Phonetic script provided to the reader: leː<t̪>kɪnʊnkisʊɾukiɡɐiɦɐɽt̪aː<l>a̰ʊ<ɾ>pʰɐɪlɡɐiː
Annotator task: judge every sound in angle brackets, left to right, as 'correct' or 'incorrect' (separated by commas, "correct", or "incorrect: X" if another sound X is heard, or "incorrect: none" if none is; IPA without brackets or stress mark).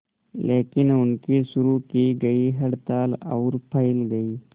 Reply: incorrect: none, correct, correct